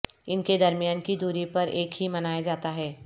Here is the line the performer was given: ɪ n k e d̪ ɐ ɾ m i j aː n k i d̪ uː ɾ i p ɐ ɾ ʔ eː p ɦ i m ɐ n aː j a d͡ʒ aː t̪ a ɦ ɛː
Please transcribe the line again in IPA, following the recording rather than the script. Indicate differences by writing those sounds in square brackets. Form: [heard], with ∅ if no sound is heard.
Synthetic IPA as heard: ɪ n k e d̪ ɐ ɾ m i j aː n k i d̪ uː ɾ i p ɐ ɾ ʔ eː [k] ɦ i m ɐ n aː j a d͡ʒ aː t̪ a ɦ ɛː